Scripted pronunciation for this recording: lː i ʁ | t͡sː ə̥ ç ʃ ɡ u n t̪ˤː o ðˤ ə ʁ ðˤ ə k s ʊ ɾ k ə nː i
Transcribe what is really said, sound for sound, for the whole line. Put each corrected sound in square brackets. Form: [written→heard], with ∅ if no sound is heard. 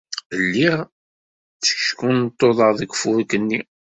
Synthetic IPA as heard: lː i ʁ | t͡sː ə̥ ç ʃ [ɡ→k] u n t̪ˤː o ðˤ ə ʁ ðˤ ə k [s→f] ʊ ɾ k ə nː i